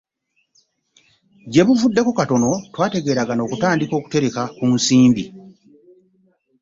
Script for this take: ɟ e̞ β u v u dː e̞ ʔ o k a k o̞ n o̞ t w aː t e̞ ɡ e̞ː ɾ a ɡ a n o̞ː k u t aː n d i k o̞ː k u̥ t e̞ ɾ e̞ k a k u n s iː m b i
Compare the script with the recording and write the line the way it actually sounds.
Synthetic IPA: ɟ e̞ β u v u dː e̞ k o k a t o̞ n o̞ t w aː t e̞ ɡ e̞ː ɾ a ɡ a n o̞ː k u t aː n d i k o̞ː k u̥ t e̞ ɾ e̞ k a k u n s iː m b i